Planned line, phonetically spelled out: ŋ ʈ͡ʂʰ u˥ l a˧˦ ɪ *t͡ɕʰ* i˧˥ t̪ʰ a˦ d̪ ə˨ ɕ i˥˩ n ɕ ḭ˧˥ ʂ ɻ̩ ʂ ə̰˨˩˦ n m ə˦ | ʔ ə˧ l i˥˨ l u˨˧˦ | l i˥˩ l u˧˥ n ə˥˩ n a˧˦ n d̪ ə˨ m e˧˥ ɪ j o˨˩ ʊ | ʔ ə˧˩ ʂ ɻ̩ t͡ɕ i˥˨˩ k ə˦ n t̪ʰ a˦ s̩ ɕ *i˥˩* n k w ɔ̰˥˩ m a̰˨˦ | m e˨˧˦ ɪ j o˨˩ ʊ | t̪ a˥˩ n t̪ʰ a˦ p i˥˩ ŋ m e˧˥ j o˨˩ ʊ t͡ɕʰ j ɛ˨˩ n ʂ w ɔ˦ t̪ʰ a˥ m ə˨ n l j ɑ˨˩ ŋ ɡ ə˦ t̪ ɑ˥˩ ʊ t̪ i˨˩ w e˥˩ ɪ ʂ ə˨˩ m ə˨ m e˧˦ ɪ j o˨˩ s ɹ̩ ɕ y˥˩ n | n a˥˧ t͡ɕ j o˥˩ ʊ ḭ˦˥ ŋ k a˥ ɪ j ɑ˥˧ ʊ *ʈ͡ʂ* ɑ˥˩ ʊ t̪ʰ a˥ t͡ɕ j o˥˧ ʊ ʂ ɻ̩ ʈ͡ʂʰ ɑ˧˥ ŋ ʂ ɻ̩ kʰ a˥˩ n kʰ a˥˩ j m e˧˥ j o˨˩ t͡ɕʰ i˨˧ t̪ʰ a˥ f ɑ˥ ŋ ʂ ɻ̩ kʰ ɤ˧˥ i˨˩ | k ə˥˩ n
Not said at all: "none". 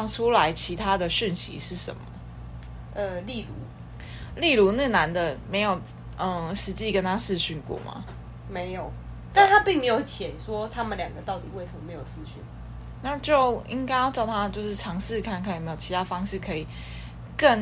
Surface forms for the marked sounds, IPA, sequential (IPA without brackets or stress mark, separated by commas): t͡ɕʰ, y˥˩, ʈ͡ʂ